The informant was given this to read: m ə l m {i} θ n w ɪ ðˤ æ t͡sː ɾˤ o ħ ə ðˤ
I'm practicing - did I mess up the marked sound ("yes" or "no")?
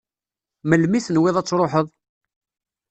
no